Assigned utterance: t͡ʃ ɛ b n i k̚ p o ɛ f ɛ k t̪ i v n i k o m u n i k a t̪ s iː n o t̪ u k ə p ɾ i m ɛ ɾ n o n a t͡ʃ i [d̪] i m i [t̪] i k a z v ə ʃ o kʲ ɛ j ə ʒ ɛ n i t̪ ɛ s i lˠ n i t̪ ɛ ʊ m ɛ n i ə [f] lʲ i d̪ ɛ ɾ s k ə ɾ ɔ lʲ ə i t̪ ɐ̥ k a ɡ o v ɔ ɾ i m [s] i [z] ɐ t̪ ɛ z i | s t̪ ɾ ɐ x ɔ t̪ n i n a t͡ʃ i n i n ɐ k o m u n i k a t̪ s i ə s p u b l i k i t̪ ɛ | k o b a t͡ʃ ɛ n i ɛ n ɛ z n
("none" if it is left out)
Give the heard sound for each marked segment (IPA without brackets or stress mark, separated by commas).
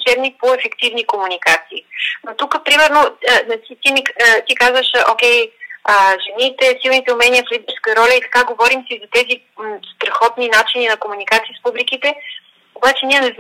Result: t̪, t̪, f, s, z